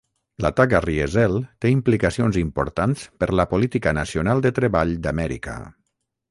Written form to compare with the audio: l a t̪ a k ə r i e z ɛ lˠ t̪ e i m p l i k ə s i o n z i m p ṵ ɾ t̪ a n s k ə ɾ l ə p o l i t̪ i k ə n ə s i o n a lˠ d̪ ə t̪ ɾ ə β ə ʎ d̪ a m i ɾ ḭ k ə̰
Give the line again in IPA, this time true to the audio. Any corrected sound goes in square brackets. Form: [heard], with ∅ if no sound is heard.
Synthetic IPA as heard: l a t̪ a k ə r i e z ɛ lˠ t̪ e i m p l i k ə s i o n z i m p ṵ ɾ t̪ a n s [p] ə ɾ l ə p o l i t̪ i k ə n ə s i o n a lˠ d̪ ə t̪ ɾ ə β [a] ʎ d̪ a m [ɛ] ɾ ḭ k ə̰